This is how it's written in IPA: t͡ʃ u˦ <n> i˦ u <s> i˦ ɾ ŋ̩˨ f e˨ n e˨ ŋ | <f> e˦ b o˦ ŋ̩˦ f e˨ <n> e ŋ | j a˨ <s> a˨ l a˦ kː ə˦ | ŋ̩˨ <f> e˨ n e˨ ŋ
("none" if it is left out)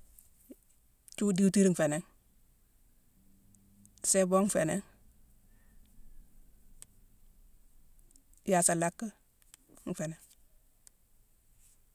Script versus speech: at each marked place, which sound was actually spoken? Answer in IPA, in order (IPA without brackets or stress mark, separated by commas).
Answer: d, t, s, n, s, f